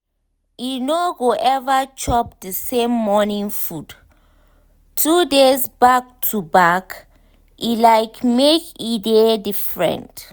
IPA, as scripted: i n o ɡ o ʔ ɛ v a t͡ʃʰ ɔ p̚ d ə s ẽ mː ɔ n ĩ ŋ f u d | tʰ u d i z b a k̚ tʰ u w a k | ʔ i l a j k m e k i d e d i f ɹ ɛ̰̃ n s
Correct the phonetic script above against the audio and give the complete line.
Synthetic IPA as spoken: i n o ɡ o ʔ ɛ v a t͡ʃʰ ɔ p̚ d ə s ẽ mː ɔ n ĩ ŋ f u d | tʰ u d e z b a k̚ tʰ u b a k | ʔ i l a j k m e k i d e d i f ɹ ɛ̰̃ n t